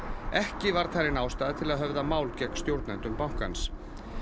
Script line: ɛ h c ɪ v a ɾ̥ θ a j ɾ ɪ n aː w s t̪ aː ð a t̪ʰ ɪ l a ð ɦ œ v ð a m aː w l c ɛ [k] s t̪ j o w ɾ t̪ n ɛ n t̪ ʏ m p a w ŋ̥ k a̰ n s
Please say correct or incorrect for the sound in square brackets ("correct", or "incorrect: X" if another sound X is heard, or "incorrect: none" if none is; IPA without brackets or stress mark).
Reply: correct